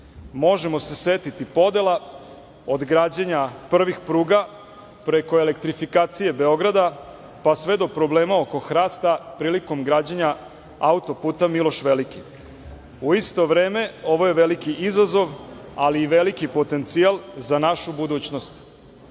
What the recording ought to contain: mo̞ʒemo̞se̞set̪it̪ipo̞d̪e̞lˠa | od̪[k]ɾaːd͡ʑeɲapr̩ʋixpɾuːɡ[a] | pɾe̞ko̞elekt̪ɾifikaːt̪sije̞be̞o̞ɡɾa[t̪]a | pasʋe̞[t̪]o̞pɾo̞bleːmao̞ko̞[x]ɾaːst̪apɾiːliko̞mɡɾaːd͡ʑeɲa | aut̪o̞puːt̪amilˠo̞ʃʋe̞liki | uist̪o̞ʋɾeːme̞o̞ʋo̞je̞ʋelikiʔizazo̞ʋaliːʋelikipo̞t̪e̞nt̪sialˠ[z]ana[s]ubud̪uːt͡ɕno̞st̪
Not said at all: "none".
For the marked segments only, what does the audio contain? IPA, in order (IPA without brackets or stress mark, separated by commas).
ɡ, a, d̪, d̪, x, z, ʃ